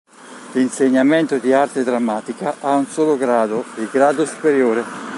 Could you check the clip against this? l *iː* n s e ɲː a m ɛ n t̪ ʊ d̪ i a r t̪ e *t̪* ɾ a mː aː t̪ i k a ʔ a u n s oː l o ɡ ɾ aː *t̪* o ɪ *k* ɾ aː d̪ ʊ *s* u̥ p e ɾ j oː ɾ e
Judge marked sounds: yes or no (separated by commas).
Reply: no, no, no, no, yes